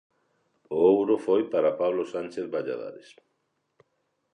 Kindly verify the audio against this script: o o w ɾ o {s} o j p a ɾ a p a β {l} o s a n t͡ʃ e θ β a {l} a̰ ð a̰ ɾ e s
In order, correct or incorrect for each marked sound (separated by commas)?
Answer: incorrect, correct, incorrect